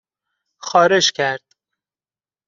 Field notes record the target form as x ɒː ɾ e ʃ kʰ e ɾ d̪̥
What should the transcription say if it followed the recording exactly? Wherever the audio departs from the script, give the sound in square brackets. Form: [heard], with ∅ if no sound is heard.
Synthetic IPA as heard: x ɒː ɾ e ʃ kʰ [æ] ɾ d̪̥